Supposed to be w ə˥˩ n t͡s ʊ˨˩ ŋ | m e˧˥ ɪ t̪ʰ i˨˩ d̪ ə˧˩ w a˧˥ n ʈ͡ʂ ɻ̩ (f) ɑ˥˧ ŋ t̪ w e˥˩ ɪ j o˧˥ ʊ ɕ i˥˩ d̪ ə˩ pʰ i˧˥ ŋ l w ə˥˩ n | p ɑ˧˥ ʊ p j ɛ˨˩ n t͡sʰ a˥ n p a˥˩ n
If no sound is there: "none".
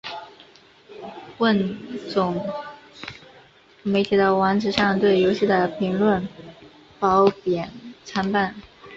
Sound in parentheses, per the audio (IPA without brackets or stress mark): ʂ